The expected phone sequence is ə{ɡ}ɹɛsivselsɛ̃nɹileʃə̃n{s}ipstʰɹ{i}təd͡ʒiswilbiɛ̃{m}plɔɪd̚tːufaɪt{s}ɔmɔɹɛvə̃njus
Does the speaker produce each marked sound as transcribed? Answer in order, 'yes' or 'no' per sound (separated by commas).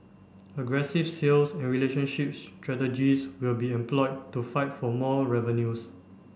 yes, no, no, yes, no